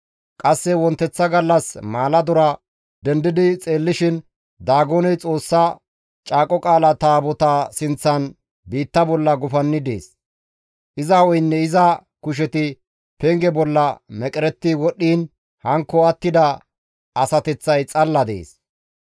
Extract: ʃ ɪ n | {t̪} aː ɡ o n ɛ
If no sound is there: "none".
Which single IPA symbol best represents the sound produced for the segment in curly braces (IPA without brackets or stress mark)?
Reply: d̪